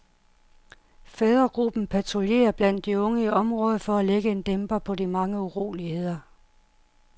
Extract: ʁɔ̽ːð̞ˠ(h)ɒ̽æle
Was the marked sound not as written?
yes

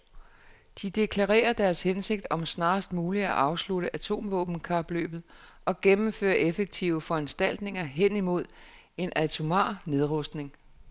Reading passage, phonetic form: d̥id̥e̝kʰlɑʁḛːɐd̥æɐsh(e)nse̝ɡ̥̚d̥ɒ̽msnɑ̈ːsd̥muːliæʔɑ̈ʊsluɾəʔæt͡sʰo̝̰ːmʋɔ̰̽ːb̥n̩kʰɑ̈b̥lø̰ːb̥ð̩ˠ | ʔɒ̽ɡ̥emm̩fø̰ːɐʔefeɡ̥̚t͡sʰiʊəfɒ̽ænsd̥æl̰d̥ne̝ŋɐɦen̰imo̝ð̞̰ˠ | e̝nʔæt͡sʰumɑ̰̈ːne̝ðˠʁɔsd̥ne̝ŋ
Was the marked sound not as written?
no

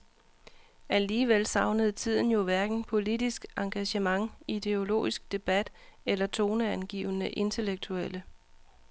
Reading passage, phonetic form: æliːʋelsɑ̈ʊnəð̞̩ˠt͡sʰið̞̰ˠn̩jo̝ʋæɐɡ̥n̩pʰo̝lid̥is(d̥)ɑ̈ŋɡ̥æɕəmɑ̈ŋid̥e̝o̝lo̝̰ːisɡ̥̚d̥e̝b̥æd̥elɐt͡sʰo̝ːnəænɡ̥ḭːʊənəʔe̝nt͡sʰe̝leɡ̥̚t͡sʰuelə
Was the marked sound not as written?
yes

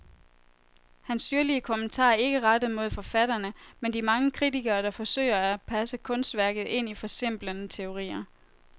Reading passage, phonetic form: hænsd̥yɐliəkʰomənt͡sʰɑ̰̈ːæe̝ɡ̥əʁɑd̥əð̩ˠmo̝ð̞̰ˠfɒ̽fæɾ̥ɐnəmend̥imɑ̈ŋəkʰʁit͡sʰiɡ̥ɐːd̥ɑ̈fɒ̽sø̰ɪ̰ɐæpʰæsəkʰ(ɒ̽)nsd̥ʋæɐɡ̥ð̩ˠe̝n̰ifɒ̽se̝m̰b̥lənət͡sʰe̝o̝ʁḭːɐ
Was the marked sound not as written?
yes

